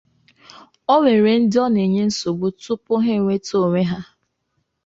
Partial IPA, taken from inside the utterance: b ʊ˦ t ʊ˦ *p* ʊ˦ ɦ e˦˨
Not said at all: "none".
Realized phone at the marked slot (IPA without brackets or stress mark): p